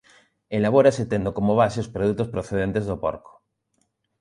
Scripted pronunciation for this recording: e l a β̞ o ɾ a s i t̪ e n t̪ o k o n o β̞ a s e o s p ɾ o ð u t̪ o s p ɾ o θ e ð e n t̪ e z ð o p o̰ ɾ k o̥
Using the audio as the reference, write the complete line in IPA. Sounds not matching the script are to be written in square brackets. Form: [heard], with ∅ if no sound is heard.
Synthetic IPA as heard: e l a β̞ o ɾ a s [e] t̪ e n [d̪] o k o [m] o β̞ a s e o s p ɾ o ð u t̪ o s p ɾ o θ e ð e n t̪ e z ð o p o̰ ɾ k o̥